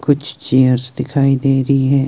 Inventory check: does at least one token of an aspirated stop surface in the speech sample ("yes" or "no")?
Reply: yes